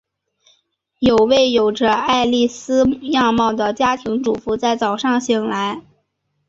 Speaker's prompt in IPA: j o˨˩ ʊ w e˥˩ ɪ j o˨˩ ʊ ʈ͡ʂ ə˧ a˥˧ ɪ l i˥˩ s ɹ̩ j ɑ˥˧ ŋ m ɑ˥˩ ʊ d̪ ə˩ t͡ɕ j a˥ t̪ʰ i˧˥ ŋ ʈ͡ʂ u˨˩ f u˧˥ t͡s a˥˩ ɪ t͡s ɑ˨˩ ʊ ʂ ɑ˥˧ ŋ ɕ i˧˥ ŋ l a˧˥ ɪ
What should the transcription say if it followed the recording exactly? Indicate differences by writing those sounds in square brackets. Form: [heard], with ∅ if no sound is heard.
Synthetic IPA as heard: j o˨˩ ʊ w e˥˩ ɪ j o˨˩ ʊ ʈ͡ʂ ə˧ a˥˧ ɪ l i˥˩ s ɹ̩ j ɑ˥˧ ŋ m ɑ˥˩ ʊ d̪ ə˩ t͡ɕ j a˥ t̪ʰ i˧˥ ŋ ʈ͡ʂ u˨˩ f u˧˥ t͡s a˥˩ ɪ t͡s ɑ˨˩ ʊ ʂ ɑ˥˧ ŋ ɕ [i˨˩] ŋ l a˧˥ ɪ